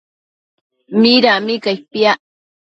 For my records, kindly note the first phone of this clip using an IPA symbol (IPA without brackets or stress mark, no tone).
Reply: m